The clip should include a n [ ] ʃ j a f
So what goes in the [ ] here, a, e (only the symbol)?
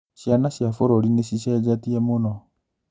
a